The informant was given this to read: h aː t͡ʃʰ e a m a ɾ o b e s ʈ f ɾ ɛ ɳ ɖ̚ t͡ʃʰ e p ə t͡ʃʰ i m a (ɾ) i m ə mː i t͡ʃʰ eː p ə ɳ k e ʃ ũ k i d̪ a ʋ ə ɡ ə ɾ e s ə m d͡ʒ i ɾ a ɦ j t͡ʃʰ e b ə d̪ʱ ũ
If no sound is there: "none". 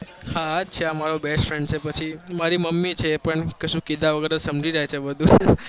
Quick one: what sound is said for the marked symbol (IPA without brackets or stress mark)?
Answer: ɾ